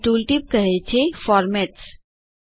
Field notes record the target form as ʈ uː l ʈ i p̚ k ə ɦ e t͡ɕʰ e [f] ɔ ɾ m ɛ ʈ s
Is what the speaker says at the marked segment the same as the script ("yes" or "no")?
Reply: yes